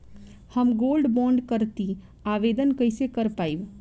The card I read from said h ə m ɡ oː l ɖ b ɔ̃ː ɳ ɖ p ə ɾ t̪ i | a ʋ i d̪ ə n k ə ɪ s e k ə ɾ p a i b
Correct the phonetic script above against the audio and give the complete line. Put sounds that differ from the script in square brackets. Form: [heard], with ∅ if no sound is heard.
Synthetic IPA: h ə m ɡ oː l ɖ b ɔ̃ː ɳ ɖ [k] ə ɾ t̪ i | a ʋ [e] d̪ ə n k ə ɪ s e k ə ɾ p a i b